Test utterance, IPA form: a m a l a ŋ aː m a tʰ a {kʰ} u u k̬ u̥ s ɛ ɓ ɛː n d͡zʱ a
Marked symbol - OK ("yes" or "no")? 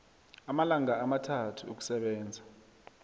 no